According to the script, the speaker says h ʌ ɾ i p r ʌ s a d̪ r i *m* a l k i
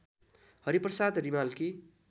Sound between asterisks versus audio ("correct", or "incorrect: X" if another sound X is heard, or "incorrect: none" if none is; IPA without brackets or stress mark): correct